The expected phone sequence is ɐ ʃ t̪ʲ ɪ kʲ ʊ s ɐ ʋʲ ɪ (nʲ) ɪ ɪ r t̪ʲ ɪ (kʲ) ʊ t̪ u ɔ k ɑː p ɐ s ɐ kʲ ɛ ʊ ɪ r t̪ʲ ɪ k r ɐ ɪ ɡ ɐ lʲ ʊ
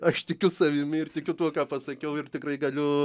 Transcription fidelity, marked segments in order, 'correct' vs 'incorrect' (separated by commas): incorrect, correct